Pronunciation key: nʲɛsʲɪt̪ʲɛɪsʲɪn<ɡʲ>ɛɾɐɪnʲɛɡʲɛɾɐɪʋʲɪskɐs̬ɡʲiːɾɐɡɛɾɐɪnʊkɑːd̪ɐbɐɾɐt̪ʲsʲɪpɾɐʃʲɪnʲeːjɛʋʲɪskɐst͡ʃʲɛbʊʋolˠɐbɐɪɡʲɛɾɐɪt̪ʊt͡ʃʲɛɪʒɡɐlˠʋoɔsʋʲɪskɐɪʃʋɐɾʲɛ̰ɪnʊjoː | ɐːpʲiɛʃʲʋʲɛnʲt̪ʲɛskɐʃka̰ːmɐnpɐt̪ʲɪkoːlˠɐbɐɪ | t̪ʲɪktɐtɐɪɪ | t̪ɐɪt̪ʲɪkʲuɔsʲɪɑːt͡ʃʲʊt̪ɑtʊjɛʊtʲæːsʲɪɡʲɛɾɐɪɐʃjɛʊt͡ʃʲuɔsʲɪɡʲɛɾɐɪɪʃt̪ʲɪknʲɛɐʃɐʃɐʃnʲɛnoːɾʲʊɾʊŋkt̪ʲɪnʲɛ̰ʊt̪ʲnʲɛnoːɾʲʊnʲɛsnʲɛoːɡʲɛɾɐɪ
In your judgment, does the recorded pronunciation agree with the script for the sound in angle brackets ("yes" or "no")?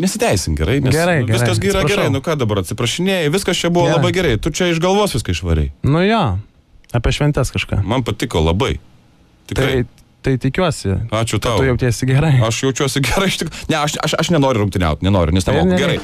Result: yes